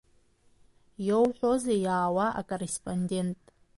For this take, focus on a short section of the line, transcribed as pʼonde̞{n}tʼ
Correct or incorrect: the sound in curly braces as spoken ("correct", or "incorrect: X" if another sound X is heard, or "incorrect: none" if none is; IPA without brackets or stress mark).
correct